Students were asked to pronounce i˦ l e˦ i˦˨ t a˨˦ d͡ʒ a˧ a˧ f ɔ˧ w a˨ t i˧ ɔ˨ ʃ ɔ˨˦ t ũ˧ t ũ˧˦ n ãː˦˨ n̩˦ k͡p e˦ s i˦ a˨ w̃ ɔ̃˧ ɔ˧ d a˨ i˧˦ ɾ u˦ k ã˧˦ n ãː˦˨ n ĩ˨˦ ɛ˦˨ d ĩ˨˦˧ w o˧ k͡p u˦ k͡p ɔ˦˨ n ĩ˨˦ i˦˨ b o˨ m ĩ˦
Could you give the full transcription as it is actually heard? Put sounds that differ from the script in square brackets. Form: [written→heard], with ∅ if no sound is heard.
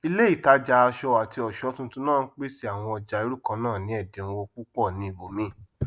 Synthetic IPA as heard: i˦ l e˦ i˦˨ t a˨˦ d͡ʒ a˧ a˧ [f→ʃ] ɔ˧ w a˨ t i˧ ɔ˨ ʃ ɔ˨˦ t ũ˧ t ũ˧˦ n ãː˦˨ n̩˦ k͡p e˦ s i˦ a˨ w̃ ɔ̃˧ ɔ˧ [d→d͡ʒ] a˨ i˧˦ ɾ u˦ k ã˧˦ n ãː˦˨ n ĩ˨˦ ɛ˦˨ d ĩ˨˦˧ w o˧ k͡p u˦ k͡p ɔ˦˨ n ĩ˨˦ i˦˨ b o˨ m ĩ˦